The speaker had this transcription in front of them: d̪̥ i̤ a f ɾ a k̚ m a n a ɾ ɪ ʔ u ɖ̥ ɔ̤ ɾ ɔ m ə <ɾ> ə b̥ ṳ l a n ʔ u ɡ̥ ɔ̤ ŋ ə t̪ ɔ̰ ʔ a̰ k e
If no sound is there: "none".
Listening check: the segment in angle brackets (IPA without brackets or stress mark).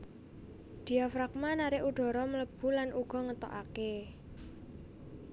l